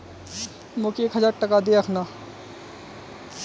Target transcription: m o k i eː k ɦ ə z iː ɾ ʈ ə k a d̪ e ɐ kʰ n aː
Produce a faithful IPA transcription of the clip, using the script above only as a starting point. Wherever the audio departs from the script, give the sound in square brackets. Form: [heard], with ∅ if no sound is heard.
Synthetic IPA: m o k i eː k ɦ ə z [aː] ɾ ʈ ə k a d̪ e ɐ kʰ n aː